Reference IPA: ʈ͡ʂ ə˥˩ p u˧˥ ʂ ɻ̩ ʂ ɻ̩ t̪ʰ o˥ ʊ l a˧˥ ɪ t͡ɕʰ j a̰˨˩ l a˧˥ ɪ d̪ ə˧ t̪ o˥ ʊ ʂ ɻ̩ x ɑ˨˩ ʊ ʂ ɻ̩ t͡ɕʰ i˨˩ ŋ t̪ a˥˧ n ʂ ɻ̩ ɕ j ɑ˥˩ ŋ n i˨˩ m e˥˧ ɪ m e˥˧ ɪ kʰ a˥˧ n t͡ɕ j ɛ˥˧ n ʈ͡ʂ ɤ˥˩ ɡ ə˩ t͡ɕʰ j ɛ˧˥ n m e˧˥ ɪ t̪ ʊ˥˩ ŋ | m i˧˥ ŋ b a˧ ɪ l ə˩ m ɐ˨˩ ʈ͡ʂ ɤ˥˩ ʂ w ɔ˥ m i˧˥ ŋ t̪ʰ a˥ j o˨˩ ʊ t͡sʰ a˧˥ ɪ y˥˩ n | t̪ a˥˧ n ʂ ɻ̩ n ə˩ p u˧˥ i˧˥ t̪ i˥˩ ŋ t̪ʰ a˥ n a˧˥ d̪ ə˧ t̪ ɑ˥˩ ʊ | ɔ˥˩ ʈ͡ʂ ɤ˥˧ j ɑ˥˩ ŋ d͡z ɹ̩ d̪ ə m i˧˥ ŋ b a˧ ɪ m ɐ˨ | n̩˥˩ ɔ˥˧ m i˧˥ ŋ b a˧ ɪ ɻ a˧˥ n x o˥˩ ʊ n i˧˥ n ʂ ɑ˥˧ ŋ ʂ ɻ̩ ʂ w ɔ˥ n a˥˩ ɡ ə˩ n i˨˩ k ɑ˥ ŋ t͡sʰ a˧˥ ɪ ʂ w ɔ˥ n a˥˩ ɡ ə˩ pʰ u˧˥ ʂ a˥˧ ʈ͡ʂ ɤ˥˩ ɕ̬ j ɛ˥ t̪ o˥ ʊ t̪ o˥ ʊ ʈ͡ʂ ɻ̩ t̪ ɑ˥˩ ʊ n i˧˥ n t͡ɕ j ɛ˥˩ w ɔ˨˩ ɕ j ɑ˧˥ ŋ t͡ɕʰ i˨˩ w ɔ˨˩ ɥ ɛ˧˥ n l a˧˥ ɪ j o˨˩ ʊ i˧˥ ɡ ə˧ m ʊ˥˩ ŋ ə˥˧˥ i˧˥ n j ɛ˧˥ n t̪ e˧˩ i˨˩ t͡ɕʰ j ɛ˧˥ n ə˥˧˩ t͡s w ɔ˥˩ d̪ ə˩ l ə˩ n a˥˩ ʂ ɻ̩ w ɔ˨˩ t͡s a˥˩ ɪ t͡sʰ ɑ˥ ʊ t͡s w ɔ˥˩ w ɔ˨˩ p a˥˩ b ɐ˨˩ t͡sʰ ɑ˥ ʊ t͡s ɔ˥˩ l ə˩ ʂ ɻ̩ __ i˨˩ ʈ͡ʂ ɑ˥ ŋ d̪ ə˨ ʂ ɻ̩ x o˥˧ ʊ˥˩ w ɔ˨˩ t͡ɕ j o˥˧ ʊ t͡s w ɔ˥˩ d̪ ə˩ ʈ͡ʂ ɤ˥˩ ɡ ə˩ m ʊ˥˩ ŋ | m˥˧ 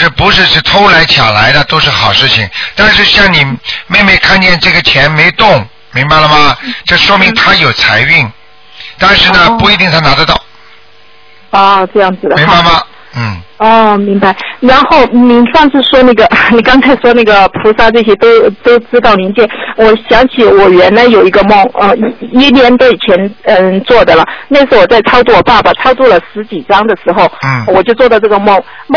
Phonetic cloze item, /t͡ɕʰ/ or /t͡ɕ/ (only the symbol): t͡ɕ